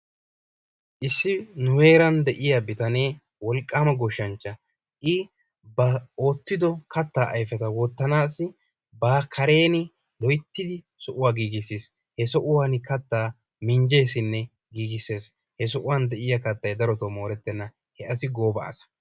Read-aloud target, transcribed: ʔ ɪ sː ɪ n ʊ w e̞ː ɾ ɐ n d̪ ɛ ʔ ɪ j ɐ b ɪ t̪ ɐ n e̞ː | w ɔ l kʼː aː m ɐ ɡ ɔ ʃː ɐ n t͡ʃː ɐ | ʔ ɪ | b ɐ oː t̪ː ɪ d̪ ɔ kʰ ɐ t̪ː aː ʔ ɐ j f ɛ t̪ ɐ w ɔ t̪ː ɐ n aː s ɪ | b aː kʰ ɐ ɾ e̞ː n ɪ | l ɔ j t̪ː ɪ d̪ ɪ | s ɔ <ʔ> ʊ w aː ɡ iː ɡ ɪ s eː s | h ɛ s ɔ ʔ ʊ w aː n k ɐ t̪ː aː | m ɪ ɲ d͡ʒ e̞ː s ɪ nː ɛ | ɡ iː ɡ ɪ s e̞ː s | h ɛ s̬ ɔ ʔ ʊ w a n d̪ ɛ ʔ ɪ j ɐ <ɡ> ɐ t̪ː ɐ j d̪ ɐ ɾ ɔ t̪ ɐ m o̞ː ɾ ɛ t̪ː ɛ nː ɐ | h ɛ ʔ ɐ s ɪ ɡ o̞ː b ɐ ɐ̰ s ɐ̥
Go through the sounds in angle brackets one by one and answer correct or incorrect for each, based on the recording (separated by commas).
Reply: correct, incorrect